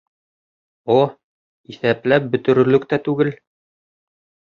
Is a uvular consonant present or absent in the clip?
absent